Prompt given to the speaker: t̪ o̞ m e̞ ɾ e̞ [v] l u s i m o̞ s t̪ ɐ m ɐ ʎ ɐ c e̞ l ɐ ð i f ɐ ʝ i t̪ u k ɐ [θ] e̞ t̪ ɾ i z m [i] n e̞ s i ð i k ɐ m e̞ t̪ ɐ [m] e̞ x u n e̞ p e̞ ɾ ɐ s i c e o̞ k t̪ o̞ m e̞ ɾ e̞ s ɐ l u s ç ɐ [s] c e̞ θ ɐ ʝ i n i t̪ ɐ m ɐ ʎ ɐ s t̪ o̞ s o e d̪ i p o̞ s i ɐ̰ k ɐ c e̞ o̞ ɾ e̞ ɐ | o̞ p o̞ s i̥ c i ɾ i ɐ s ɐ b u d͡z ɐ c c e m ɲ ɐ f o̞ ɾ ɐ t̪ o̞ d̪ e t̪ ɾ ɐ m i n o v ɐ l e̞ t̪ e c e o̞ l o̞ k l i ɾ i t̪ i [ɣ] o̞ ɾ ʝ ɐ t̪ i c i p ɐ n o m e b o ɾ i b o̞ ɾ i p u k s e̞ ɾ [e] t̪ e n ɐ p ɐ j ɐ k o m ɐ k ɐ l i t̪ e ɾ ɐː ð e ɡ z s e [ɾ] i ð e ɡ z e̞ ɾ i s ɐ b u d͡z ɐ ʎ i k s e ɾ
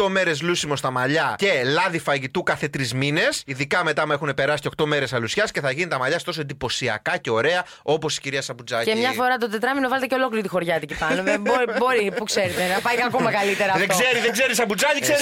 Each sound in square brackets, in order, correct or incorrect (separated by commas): incorrect, correct, correct, correct, correct, incorrect, correct, correct